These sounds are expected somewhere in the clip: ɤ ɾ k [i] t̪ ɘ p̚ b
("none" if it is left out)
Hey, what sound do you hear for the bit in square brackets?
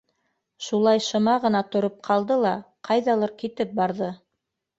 i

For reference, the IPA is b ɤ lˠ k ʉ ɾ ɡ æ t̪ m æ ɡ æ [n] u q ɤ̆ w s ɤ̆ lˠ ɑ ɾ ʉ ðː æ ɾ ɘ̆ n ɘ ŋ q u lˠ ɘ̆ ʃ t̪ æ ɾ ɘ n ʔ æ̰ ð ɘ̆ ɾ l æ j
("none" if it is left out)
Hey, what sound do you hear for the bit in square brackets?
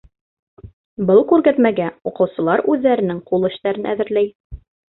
none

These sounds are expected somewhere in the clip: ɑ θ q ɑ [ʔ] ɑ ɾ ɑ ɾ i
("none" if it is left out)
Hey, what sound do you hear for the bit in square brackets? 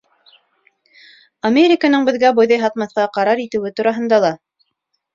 q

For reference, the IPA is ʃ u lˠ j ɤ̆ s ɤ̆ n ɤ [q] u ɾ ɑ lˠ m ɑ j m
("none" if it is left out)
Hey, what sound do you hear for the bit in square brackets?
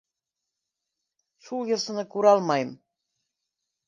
k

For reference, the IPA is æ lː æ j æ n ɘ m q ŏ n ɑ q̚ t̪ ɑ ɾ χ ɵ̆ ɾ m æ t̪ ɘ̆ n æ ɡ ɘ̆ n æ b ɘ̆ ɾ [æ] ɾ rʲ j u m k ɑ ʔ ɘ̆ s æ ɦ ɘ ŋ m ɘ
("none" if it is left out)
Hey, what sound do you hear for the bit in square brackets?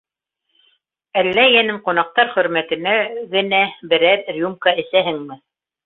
æ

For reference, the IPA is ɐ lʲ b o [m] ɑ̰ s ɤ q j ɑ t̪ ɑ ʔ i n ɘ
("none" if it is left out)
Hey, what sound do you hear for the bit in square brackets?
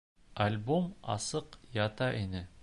m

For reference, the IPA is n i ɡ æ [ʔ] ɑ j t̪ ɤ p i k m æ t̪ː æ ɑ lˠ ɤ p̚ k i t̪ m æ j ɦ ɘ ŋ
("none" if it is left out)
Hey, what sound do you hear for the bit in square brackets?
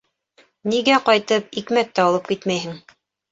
q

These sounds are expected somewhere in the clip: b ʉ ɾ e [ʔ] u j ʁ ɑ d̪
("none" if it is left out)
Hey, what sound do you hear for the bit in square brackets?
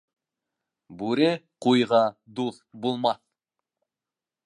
q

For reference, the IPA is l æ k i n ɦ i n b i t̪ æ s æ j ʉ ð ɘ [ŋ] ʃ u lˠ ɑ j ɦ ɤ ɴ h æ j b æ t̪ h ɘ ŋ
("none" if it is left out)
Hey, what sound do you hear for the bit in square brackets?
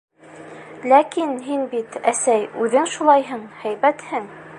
ŋ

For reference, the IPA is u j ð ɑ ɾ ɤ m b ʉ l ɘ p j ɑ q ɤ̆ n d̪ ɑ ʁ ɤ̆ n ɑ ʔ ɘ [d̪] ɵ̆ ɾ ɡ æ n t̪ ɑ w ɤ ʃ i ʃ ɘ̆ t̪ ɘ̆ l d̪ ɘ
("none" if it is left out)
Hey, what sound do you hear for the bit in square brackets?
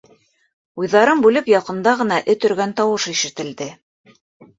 t̪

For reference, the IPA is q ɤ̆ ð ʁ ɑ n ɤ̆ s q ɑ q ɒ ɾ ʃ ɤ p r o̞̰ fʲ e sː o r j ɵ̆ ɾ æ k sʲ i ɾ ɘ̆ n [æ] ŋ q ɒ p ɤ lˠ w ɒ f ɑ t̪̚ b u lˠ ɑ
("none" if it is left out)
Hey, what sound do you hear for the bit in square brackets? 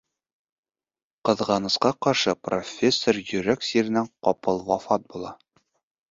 æ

